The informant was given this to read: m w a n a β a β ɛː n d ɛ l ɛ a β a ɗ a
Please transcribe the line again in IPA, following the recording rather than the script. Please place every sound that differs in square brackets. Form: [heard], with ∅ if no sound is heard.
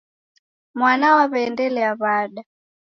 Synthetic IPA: m w a n a [w] a β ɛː n d ɛ l ɛ a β a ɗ a